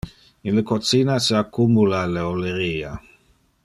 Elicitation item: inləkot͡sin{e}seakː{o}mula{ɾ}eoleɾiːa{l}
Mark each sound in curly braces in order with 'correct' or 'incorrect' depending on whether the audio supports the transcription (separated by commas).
incorrect, incorrect, incorrect, incorrect